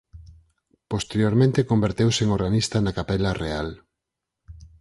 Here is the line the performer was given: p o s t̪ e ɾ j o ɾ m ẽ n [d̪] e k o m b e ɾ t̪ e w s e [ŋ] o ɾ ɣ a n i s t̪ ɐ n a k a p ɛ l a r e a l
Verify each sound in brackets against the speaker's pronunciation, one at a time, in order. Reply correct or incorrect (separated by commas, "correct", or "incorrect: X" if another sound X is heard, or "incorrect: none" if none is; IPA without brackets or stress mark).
incorrect: t̪, correct